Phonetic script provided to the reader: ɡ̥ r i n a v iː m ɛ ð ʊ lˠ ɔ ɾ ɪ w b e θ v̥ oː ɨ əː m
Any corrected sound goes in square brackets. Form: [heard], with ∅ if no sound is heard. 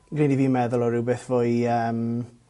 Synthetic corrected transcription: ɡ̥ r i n [i] v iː m ɛ ð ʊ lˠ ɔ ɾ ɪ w b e θ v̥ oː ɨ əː m

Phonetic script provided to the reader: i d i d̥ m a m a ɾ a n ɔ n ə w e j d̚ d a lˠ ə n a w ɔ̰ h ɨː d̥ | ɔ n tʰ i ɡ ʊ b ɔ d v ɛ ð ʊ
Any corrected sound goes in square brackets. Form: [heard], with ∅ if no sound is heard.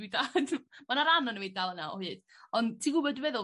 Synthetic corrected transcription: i d [a] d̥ m a [n] a ɾ a n ɔ n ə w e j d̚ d a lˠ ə n a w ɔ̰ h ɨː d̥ | ɔ n tʰ i ɡ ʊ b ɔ d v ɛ ð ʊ

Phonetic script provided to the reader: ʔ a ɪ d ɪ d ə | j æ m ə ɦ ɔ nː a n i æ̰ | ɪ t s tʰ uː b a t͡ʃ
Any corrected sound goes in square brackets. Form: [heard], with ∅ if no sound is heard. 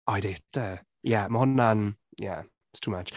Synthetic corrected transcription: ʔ a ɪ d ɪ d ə | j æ m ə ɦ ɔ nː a n [j] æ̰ | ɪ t s tʰ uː [m] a t͡ʃ

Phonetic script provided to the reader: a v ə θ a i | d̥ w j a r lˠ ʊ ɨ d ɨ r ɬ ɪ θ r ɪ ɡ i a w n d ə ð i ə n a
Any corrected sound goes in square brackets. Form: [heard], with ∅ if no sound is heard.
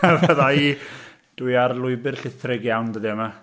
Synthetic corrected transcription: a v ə [ð] a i | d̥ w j a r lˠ ʊ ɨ [b] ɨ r ɬ ɪ θ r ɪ ɡ [j] a w n d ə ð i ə [m] a

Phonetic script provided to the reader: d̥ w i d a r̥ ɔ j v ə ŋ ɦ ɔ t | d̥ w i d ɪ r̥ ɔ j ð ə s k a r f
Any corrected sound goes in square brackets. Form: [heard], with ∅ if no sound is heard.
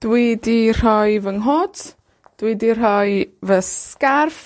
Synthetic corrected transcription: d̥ w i d [i] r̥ ɔ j v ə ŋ ɦ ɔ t | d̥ w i d [i] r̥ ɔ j [v] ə s k a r f

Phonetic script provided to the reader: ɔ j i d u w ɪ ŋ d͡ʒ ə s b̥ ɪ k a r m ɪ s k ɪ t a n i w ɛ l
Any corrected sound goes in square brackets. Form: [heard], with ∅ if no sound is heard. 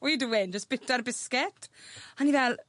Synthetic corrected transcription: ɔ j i d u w ɪ [n] d͡ʒ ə s b̥ ɪ [t] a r [b] ɪ s k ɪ t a n i [v] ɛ l

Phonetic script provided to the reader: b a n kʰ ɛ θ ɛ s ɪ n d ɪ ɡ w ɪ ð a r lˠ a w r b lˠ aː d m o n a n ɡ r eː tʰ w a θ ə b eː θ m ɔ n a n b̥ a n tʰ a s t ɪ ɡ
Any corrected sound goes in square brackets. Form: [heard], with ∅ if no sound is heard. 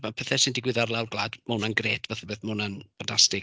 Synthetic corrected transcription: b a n [pʰ] ɛ θ ɛ s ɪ n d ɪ ɡ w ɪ ð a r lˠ a w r [ɡ] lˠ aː d m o n a n ɡ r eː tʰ [v] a θ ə b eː θ m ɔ n a n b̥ a n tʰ a s t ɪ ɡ

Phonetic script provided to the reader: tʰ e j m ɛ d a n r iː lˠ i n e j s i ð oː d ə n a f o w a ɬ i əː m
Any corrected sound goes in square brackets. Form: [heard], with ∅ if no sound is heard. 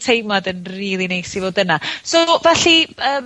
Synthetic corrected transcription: tʰ e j m [a] d [ə] n r iː lˠ i n e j s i [v] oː d ə n a [s] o [v] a ɬ i əː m

